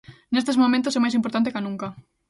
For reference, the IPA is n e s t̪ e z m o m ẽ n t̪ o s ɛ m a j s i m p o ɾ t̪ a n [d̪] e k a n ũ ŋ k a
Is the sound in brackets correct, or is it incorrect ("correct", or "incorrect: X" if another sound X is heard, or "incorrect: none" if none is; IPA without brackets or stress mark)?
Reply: incorrect: t̪